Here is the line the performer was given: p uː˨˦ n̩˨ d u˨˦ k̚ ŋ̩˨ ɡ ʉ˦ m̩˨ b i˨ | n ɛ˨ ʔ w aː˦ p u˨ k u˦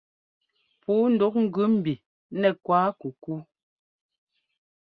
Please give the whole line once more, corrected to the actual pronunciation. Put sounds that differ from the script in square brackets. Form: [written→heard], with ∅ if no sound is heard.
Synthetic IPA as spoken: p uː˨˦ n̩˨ d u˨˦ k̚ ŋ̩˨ ɡ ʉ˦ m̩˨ b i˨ | n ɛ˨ [ʔ→k] w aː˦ [p→k] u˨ k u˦